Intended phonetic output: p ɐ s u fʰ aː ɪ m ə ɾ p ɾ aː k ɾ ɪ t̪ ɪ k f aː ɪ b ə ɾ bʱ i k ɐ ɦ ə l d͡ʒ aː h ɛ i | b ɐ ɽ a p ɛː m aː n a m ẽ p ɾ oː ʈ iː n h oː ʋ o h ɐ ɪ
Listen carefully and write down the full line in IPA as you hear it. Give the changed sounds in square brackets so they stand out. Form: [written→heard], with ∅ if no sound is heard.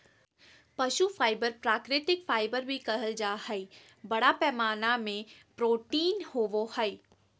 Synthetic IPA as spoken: p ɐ [s→ʃ] u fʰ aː ɪ [m→b] ə ɾ p ɾ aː k ɾ ɪ t̪ ɪ k f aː ɪ b ə ɾ bʱ i k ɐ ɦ ə l d͡ʒ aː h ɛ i | b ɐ ɽ a p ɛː m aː n a m ẽ p ɾ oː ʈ iː n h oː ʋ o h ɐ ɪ